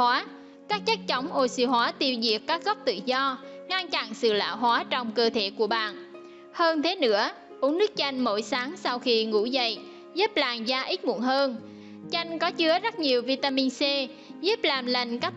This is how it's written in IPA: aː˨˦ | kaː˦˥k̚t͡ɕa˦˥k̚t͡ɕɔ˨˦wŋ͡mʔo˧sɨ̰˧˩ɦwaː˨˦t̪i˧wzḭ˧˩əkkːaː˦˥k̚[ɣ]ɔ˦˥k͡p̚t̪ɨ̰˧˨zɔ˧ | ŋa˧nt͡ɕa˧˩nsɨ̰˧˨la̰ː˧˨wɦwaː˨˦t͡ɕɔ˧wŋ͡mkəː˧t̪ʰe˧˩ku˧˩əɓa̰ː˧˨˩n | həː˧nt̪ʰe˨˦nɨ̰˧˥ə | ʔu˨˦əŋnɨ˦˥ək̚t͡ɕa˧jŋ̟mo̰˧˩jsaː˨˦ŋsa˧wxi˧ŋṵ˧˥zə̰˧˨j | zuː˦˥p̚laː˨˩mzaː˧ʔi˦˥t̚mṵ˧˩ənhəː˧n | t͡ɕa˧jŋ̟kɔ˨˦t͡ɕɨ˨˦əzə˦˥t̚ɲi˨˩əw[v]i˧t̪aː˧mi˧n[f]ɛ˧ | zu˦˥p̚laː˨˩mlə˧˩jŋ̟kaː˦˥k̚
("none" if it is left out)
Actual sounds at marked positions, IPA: ɣ, v, s

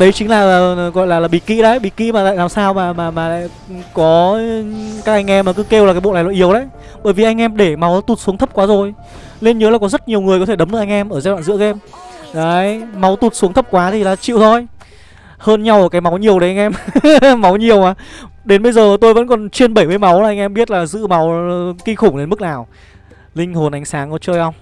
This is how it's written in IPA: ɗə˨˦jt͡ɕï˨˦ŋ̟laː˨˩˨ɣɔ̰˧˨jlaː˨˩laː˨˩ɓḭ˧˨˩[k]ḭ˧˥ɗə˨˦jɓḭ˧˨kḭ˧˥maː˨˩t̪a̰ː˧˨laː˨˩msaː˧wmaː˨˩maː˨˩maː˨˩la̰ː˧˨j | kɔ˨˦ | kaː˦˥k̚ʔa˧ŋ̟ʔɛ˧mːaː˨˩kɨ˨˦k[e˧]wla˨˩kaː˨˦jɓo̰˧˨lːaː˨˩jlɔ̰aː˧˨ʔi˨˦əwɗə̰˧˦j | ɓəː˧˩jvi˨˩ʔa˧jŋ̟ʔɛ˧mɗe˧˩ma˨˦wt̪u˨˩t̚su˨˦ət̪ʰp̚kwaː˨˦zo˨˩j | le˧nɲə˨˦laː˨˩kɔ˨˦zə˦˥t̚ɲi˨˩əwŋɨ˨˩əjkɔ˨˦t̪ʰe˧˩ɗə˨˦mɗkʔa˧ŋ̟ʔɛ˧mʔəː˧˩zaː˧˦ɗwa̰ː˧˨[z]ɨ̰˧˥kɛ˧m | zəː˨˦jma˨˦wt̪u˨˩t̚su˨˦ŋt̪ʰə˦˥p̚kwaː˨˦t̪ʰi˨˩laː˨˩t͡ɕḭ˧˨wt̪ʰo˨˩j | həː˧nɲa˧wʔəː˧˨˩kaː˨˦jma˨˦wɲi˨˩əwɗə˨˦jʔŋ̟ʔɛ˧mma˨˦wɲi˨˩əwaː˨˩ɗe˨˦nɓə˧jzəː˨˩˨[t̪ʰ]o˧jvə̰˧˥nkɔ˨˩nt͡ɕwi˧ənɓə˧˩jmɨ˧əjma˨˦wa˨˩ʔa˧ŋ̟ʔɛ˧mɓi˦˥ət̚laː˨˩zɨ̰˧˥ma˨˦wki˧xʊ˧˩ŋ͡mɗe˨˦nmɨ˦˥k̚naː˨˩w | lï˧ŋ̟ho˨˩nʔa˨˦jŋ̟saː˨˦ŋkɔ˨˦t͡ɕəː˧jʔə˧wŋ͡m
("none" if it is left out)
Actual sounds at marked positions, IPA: k, e˧, z, t̪

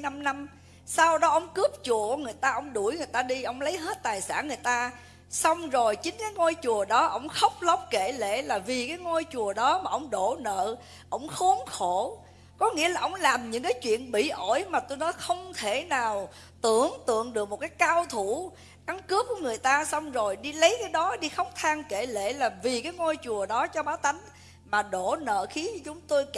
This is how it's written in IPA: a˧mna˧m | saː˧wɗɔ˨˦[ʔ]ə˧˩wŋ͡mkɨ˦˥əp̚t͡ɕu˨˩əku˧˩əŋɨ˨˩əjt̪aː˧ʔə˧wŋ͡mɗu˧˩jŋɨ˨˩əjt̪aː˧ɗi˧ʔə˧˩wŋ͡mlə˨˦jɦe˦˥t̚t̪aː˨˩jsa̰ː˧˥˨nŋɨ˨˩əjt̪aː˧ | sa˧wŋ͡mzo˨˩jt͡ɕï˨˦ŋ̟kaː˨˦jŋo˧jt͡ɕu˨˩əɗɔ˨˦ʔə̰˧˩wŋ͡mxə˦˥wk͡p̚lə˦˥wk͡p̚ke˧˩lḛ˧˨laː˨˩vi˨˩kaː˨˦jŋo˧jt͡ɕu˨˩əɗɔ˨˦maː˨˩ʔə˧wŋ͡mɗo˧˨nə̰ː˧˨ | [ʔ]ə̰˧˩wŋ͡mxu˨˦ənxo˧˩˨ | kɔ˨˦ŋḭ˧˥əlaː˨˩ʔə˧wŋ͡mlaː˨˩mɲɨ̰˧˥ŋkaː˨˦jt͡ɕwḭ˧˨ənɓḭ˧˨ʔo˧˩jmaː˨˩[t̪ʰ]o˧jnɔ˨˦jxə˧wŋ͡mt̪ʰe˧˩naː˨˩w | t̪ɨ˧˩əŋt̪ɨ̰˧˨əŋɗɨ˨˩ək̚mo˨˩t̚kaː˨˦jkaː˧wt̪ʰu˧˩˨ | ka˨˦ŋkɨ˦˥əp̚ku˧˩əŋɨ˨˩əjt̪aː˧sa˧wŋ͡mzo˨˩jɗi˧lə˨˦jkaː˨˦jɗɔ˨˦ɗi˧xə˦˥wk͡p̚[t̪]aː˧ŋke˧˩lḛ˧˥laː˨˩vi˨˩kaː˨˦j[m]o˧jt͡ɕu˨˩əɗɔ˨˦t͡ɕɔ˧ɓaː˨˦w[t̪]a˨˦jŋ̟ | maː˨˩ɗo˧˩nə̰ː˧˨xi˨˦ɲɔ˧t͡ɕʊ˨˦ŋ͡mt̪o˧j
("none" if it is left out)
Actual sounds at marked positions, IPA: ʔ, ʔ, t̪, t̪ʰ, ŋ, t̪

